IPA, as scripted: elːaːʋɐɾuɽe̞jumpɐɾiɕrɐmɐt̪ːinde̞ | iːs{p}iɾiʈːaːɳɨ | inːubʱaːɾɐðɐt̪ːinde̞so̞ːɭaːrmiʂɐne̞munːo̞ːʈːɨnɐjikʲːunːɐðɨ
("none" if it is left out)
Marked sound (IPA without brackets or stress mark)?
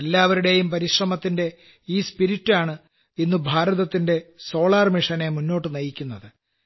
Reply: p